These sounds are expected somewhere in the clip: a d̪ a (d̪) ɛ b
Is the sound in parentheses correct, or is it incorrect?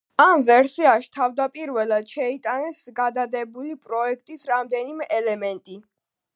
correct